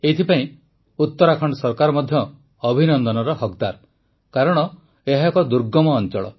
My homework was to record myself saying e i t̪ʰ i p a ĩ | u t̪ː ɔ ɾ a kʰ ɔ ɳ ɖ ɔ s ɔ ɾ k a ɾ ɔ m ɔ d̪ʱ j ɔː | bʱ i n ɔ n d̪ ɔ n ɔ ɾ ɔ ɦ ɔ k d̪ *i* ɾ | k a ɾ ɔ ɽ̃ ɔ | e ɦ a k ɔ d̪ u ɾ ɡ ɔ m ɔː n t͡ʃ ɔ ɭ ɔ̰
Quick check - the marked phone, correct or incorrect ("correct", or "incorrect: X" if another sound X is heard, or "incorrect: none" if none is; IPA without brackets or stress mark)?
incorrect: a